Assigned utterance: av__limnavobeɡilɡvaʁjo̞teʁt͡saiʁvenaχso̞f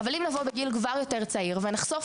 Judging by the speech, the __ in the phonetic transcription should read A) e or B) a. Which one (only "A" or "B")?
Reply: B